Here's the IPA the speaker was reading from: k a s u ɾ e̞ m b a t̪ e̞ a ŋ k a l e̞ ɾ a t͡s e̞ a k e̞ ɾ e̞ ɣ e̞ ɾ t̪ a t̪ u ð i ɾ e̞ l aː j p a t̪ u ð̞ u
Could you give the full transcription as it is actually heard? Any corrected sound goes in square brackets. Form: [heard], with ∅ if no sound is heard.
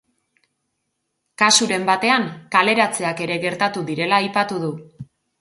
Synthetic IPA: k a s u ɾ e̞ m b a t̪ e̞ a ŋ k a l e̞ ɾ a t͡s e̞ a k e̞ ɾ e̞ ɣ e̞ ɾ t̪ a t̪ u ð i ɾ e̞ l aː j p a t̪ u ð̞ u